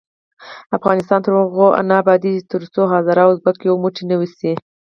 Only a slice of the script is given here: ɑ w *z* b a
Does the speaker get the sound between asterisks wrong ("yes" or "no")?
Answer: no